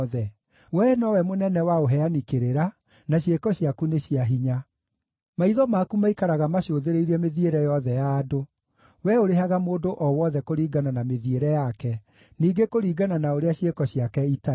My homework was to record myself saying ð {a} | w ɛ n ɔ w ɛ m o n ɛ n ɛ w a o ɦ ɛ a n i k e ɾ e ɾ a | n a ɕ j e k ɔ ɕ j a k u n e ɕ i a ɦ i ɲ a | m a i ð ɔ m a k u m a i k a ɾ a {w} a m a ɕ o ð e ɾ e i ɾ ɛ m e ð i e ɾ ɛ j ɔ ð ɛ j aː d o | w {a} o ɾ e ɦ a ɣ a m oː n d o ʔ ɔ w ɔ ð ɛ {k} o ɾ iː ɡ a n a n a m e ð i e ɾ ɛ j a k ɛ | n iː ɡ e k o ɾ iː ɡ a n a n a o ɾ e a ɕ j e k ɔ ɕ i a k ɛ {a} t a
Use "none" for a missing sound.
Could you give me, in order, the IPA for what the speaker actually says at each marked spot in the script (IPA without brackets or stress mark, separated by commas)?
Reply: ɛ, ɣ, ɛ, k, i